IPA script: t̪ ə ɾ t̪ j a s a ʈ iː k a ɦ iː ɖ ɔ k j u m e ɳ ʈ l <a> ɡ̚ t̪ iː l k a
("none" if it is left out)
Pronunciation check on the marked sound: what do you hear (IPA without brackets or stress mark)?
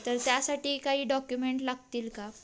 a